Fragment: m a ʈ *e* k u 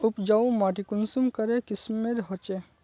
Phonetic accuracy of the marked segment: incorrect: i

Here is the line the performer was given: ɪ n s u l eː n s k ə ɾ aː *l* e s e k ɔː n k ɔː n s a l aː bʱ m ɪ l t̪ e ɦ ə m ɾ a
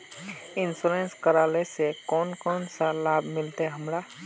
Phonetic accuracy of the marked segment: correct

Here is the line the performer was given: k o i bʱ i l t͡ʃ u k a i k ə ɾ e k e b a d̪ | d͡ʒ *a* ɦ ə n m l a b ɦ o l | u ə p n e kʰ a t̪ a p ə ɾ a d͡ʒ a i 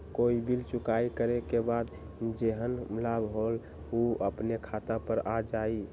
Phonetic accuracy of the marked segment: incorrect: e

